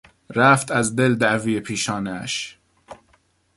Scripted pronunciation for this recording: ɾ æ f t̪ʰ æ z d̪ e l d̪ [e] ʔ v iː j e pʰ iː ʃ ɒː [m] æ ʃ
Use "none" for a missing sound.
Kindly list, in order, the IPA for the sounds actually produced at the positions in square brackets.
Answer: æ, n

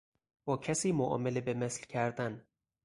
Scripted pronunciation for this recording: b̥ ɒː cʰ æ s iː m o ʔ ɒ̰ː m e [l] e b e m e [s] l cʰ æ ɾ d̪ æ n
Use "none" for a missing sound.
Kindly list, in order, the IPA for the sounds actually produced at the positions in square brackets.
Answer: l, s

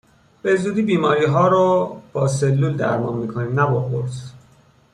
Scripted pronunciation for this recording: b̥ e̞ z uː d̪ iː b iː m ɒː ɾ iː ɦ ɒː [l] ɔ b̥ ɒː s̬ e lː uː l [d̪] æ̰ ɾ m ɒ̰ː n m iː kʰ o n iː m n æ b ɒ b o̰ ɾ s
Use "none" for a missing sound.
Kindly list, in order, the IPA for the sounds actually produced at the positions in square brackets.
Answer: ɾ, d̪

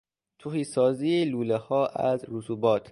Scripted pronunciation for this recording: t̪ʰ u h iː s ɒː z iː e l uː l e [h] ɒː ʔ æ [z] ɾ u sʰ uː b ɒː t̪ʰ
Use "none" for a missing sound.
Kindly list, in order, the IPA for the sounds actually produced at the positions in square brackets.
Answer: h, z

